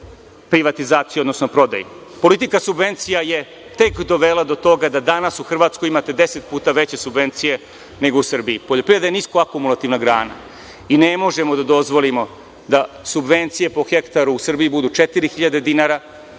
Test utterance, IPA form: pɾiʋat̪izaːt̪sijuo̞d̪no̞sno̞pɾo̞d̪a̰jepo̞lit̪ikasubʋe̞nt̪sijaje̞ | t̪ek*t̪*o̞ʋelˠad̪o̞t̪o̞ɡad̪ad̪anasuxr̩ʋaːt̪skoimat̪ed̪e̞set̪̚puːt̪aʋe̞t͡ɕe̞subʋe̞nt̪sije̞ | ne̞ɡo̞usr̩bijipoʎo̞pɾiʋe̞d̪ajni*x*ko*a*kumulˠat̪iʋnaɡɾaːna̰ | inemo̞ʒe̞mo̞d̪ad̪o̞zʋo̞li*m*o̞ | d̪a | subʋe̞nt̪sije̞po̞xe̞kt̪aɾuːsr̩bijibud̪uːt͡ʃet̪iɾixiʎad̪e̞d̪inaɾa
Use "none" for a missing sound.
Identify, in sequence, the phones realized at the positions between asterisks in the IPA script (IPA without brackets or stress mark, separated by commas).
d̪, s, a, m